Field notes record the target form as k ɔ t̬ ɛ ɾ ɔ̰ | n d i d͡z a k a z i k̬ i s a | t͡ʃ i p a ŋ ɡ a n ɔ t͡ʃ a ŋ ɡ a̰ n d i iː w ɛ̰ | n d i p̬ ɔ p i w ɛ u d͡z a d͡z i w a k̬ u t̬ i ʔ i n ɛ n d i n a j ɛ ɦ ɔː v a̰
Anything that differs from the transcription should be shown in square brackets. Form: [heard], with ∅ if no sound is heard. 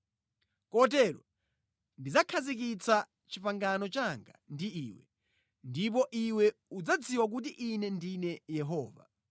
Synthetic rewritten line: k ɔ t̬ ɛ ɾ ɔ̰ | n d i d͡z a [kʰ] a z i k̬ i [t͡s] a | t͡ʃ i p a ŋ ɡ a n ɔ t͡ʃ a ŋ ɡ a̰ n d i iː w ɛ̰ | n d i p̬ ɔ [ʔ] i w ɛ u d͡z a d͡z i w a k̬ u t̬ i ʔ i n ɛ n d i n [ɛ] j ɛ ɦ ɔː v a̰